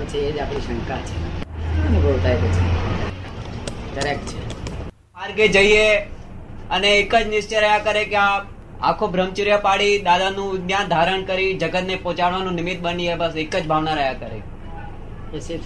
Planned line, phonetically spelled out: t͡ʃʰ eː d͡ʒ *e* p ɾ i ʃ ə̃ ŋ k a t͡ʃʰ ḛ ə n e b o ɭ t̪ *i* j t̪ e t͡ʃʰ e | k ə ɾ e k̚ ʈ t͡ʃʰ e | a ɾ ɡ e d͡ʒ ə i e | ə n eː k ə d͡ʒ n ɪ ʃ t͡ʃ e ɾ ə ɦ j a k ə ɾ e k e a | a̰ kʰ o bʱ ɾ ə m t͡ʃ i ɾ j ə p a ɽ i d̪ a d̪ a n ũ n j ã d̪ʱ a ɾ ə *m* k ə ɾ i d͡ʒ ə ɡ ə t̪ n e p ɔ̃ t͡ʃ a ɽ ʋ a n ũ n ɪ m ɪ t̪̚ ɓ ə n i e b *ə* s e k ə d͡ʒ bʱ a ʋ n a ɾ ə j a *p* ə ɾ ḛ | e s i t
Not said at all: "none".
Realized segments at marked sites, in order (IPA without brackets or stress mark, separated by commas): a, a, ɳ, ə, k